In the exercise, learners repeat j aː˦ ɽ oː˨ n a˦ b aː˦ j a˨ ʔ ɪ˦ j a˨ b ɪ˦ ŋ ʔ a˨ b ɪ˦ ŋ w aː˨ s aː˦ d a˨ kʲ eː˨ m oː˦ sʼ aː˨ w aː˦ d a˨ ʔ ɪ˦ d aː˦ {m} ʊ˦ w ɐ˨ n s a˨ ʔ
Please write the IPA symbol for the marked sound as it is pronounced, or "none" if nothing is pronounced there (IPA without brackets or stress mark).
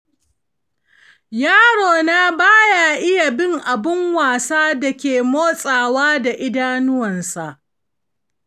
n